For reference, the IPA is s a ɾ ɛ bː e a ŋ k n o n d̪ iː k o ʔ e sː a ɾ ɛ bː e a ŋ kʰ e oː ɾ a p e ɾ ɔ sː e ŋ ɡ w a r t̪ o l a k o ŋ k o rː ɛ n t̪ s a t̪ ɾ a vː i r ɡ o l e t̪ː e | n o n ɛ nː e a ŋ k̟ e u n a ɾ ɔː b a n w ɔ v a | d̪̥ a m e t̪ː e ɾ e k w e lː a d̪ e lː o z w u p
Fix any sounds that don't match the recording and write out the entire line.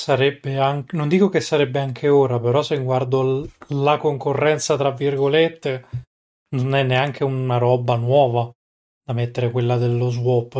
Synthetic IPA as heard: s a ɾ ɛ bː e a ŋ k n o n d̪ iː k o k e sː a ɾ ɛ bː e a ŋ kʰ e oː ɾ a p e ɾ ɔ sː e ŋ ɡ w a r d̪ o l a k o ŋ k o rː ɛ n t̪ s a t̪ ɾ a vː i r ɡ o l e t̪ː e | n o n ɛ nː e a ŋ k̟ e u n a ɾ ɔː b a n w ɔː v a | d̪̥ a m e t̪ː e ɾ e k w e lː a d̪ e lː o z w ɔ p